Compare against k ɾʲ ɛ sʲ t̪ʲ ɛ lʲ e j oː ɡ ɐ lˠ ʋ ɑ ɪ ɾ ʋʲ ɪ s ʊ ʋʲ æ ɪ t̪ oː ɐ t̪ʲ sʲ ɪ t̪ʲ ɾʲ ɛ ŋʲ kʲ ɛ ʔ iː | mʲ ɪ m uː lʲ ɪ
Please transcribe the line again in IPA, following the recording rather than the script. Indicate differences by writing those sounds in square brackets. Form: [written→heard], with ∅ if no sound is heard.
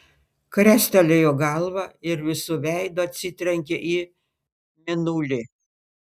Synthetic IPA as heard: k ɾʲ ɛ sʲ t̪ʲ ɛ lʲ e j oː ɡ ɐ lˠ ʋ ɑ ɪ ɾ ʋʲ ɪ s ʊ ʋʲ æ ɪ [t̪→d̪] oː ɐ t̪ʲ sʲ ɪ t̪ʲ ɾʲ ɛ ŋʲ kʲ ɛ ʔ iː | mʲ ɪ [m→n] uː lʲ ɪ